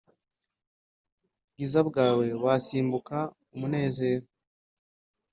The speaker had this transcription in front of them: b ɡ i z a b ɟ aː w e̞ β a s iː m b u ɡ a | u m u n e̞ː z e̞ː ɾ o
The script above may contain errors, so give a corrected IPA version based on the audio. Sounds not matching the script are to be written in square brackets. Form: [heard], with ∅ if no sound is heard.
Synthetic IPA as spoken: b ɡ i z a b [ɡ] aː w e̞ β a s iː m b u [k] a | u m u n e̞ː z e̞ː ɾ o